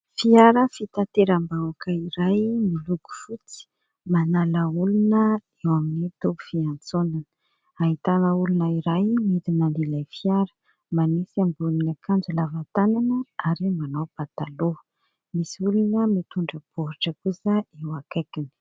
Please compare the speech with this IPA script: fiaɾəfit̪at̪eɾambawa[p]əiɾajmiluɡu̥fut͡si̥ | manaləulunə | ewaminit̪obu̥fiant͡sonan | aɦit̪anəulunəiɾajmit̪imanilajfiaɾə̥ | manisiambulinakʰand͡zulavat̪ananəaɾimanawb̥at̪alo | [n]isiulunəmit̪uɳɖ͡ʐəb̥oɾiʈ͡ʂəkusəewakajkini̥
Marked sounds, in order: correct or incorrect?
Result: incorrect, incorrect

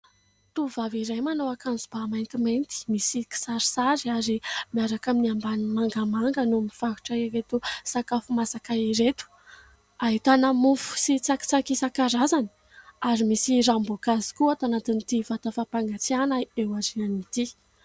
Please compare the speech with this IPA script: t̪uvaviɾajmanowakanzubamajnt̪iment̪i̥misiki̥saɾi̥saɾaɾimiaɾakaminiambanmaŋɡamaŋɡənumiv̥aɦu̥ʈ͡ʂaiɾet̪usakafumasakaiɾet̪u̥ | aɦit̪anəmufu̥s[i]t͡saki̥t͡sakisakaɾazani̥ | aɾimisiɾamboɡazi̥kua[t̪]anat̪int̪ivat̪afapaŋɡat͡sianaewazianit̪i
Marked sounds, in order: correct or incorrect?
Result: correct, correct

